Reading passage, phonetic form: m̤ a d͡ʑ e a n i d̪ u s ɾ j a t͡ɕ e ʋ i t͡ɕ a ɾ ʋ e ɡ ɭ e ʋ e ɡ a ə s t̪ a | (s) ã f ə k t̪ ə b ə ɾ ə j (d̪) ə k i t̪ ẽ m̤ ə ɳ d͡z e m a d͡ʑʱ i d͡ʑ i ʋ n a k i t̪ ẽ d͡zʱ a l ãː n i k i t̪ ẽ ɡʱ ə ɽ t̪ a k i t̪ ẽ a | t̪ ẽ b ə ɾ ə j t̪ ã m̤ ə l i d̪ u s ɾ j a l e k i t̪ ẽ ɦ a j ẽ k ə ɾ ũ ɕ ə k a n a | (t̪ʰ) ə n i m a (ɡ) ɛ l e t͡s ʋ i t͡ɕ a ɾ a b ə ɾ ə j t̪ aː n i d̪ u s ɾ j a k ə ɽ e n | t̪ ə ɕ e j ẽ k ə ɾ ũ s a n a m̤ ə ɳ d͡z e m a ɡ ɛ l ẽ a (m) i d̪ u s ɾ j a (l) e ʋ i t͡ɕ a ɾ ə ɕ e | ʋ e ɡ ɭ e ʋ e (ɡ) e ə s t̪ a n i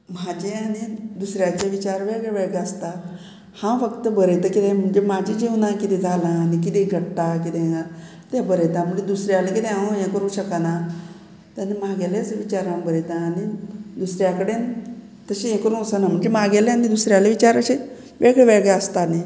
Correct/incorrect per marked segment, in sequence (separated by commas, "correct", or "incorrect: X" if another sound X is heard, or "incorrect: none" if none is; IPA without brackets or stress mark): incorrect: h, incorrect: t̪, incorrect: t̪, correct, incorrect: n, correct, correct